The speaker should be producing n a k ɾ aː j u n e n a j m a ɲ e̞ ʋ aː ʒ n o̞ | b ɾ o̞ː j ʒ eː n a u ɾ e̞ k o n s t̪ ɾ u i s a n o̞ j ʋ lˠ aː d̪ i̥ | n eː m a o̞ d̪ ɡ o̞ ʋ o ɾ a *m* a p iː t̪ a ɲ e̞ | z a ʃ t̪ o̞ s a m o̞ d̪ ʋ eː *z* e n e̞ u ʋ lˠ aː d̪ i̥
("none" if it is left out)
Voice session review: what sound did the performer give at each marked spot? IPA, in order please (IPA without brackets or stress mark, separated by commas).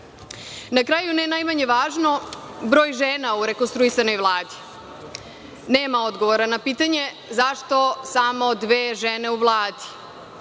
n, ʒ